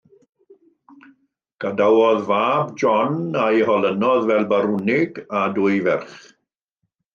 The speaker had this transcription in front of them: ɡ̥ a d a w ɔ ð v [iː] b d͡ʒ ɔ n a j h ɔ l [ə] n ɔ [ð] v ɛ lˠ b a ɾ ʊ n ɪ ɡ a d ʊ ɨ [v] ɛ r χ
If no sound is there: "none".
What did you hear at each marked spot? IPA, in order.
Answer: aː, ə, ð, v

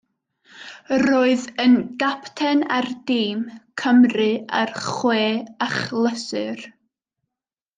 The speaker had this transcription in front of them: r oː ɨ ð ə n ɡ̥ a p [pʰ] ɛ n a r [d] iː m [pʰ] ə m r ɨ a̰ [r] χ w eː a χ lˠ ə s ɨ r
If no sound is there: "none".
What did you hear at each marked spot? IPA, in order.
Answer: tʰ, d, kʰ, r

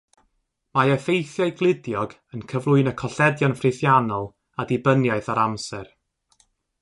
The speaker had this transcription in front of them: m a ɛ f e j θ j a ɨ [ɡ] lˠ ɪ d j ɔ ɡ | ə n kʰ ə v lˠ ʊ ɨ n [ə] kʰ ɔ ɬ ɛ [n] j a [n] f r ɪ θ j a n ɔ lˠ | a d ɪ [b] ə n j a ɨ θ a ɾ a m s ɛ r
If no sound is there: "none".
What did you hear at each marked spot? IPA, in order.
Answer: ɡ, ə, d, n, b

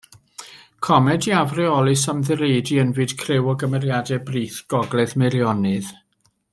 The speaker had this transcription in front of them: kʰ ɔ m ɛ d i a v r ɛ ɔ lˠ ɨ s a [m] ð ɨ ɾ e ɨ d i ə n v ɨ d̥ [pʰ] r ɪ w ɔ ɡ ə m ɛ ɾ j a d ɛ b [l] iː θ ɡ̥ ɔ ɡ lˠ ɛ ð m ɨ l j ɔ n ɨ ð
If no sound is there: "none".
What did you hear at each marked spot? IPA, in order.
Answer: m, kʰ, r

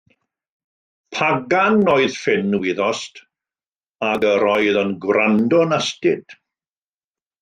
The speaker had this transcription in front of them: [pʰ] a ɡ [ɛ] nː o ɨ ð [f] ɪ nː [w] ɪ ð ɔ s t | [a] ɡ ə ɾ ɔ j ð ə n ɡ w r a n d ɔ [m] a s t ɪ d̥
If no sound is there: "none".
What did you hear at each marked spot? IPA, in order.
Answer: pʰ, a, f, w, a, n

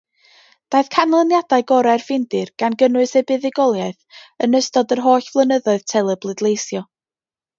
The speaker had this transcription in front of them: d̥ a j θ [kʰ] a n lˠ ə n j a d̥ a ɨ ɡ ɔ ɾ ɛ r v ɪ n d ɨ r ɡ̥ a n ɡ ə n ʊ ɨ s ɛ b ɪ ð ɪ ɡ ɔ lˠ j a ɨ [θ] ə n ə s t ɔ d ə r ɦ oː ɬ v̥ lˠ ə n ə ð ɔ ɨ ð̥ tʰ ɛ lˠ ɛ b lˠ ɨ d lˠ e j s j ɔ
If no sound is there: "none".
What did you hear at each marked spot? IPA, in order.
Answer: kʰ, θ

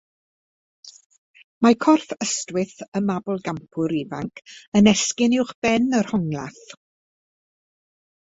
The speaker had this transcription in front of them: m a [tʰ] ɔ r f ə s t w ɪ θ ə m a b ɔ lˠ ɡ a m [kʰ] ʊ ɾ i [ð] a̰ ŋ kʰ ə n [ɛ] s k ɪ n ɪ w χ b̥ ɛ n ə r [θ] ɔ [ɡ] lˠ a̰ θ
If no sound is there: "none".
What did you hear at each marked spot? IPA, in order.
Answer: kʰ, pʰ, v, ɛ, h, ŋ

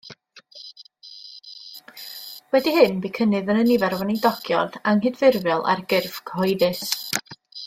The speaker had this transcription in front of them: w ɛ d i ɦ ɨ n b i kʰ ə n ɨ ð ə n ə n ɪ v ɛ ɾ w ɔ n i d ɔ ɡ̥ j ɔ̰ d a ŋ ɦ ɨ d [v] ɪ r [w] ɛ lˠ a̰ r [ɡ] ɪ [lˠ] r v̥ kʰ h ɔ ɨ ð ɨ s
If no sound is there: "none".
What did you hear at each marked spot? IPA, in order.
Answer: v, v, ɡ, none

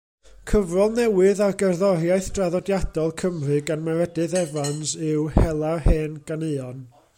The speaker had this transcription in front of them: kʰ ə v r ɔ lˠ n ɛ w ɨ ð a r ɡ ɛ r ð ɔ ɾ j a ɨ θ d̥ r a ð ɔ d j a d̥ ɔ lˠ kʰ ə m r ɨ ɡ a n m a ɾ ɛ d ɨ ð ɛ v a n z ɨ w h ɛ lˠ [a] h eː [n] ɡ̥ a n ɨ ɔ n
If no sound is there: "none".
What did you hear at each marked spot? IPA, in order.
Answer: a, n

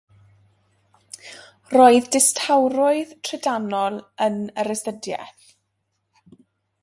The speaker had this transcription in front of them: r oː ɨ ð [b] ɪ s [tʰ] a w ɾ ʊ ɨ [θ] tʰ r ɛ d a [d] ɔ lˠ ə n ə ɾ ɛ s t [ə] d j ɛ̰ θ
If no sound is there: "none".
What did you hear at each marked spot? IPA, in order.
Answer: d, tʰ, ð, n, ə

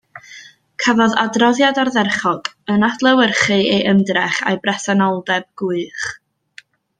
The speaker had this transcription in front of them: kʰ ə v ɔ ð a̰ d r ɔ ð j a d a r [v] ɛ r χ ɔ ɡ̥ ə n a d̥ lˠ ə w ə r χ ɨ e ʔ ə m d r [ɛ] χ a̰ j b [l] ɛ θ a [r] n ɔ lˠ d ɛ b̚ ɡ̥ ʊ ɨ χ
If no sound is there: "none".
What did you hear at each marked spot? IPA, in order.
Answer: ð, ɛ, r, none

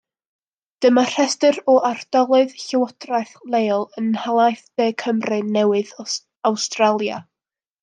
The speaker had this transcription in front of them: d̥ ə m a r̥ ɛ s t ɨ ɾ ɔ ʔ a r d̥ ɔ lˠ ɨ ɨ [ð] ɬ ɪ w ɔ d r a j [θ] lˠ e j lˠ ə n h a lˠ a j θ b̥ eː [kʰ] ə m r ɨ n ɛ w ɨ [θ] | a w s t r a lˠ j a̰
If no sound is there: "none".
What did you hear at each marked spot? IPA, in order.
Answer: ð, θ, kʰ, ð

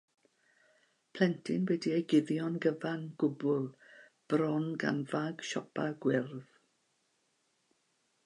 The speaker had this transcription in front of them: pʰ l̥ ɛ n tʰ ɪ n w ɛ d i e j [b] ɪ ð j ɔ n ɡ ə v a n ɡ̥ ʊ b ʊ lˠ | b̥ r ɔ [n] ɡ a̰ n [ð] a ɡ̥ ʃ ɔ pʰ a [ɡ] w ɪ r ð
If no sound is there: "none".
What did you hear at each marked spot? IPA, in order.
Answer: ɡ, n, v, ɡ

